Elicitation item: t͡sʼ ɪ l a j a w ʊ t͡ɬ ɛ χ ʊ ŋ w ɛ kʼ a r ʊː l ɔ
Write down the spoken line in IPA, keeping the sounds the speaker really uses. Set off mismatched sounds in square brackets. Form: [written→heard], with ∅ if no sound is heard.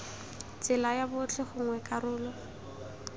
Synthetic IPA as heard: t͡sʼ ɪ l a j a [w→b] ʊ t͡ɬ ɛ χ ʊ ŋ w ɛ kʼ a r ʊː l ɔ